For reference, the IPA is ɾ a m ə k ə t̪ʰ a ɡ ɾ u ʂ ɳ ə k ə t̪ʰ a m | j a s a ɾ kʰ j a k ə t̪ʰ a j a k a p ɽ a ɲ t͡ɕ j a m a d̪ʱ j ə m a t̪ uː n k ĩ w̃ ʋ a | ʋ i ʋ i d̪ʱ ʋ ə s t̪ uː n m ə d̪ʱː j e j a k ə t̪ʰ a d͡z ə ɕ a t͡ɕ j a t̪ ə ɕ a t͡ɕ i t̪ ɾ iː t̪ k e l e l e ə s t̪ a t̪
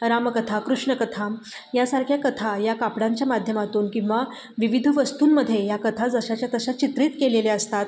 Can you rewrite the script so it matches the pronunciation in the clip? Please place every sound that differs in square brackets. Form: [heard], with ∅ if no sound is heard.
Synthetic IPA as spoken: ɾ a m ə k ə t̪ʰ a [k] ɾ u ʂ ɳ ə k ə t̪ʰ a m | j a s a ɾ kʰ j a k ə t̪ʰ a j a k a p ɽ a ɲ t͡ɕ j a m a d̪ʱ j ə m a t̪ uː n k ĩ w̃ ʋ a | ʋ i ʋ i d̪ʱ ʋ ə s t̪ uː n m ə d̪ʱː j e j a k ə t̪ʰ a d͡z ə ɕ a t͡ɕ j a t̪ ə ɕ a t͡ɕ i t̪ ɾ iː t̪ k e l e l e ə s t̪ a t̪